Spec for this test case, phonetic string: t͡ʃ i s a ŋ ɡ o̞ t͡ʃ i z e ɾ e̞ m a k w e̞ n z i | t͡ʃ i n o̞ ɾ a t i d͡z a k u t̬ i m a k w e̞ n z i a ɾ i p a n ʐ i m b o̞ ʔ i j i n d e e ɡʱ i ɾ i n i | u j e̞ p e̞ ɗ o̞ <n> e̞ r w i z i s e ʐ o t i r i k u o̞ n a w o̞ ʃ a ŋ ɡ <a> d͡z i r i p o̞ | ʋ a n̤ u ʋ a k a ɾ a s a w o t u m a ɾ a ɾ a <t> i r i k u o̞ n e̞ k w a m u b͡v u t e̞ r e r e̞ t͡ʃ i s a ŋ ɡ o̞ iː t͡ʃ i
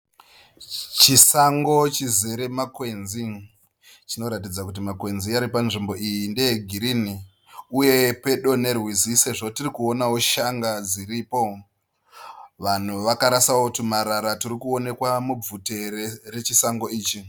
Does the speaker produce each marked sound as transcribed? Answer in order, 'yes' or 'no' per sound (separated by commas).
yes, yes, yes